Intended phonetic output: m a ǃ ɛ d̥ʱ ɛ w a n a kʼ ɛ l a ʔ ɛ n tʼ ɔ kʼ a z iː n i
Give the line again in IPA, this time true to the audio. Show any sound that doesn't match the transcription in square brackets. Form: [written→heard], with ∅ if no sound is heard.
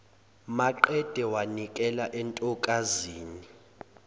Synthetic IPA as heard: m a ǃ ɛ d̥ʱ ɛ w a n [a→i] kʼ ɛ l a ʔ ɛ n tʼ ɔ kʼ a z iː n i